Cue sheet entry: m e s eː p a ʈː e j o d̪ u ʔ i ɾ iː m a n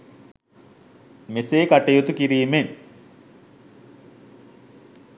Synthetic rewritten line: m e s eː k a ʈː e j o t̪ u k i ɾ iː m e n

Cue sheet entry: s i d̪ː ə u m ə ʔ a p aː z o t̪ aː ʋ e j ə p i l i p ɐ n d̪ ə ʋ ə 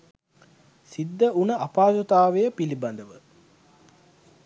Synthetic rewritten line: s i d̪ː ə u n ə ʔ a p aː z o t̪ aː ʋ e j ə p i l i b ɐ n d̪ ə ʋ ə

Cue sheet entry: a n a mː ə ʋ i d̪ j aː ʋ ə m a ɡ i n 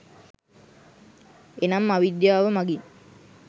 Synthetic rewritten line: e n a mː a ʋ i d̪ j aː ʋ ə m a ɡ i n

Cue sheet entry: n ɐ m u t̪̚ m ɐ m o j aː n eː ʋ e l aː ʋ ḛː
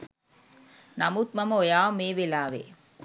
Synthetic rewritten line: n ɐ m u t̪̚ m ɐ m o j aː m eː ʋ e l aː ʋ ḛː

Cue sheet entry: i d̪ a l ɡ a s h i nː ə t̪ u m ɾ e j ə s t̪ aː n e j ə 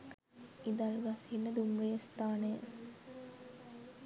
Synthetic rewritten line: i d̪ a l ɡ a s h i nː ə d̪ u m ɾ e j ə s t̪ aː n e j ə

